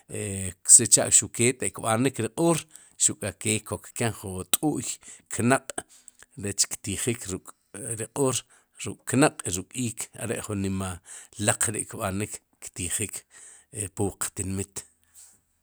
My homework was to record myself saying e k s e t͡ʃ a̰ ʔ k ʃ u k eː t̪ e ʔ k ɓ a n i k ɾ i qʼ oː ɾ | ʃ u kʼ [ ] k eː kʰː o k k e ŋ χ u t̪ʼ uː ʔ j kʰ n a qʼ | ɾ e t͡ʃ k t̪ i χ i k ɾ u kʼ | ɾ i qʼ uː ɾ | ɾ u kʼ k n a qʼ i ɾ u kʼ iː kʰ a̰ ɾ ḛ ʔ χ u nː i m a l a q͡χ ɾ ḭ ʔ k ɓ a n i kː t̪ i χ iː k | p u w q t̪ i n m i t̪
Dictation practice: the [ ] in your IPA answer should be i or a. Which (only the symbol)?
a